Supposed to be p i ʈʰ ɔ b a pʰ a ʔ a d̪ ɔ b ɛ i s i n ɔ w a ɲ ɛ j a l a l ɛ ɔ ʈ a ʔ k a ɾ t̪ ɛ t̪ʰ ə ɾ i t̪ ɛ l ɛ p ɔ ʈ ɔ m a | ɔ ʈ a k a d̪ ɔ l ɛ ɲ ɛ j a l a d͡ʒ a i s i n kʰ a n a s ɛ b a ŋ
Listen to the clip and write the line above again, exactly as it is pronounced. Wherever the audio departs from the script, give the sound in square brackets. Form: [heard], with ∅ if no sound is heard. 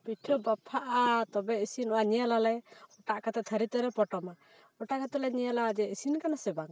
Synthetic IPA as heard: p i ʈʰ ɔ b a pʰ a ʔ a [t̪] ɔ b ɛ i s i n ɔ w a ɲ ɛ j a l a l ɛ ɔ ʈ a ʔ k a [∅] t̪ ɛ t̪ʰ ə ɾ i t̪ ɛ [ɾ] ɛ p ɔ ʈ ɔ m a | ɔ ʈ a k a [t̪] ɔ l ɛ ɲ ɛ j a l a d͡ʒ [ɛ] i s i n [k] a n a s ɛ b a ŋ